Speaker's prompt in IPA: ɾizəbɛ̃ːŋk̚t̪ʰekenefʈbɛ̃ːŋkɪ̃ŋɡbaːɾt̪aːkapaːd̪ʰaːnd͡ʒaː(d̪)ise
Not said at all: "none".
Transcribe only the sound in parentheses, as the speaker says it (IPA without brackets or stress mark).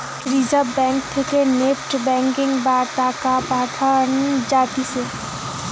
t̪